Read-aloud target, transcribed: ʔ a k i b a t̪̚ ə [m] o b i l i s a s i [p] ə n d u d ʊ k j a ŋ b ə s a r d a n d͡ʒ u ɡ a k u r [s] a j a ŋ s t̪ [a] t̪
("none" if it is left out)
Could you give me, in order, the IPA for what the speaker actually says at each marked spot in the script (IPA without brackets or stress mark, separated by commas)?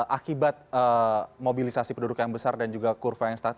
m, p, f, a